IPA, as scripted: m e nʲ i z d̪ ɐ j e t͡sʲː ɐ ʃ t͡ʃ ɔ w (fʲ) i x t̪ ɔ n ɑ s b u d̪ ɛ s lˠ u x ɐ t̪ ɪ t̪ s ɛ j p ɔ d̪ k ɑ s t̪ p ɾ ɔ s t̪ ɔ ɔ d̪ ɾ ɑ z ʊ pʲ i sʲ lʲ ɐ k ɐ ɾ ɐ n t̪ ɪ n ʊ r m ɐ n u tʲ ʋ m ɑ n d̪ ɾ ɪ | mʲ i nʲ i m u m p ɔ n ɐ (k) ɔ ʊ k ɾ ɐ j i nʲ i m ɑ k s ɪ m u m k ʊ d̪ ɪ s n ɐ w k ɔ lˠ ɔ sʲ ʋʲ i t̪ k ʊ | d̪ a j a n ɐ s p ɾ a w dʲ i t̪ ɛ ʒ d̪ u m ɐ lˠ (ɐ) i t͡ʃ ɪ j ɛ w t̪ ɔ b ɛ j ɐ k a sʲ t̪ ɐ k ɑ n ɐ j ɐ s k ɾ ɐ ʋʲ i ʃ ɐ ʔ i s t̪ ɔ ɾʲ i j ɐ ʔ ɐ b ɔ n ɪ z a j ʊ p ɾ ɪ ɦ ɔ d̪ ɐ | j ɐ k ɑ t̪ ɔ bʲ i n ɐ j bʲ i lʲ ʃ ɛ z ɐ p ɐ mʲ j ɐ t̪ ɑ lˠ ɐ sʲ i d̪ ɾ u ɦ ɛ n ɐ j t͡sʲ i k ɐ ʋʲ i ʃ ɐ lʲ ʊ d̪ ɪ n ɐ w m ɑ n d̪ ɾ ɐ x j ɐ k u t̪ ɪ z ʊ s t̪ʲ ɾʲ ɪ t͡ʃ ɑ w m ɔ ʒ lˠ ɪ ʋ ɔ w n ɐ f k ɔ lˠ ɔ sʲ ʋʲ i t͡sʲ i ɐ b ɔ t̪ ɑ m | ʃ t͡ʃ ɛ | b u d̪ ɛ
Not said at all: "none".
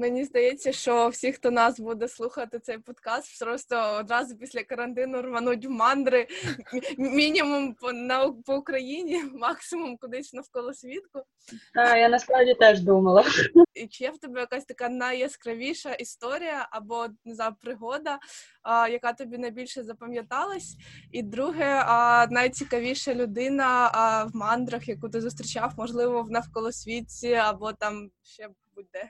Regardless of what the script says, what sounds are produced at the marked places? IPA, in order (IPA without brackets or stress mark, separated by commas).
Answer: sʲ, p, ɐ